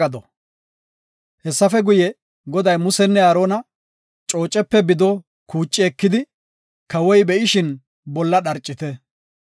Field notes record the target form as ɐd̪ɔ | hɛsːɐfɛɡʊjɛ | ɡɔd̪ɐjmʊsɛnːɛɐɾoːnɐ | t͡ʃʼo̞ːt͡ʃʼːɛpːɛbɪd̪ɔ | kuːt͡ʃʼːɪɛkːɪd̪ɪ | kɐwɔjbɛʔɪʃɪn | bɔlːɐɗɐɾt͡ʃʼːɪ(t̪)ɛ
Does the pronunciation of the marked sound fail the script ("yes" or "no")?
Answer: no